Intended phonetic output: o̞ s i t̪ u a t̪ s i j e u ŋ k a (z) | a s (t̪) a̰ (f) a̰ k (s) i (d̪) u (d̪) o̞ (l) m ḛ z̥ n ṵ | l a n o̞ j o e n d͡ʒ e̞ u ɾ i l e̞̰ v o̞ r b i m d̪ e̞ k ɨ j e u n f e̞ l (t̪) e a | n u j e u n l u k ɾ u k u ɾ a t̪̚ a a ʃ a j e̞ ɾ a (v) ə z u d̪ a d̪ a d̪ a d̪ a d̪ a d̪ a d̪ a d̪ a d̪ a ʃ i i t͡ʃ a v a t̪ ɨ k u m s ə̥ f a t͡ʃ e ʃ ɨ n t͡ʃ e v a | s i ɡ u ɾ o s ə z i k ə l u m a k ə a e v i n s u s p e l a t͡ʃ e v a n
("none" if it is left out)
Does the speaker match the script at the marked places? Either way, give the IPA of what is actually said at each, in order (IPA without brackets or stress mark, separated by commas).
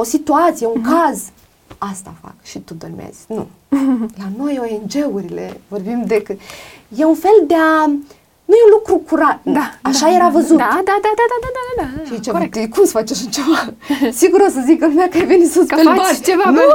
z, t̪, f, ʃ, t̪, d̪, r, d̪, v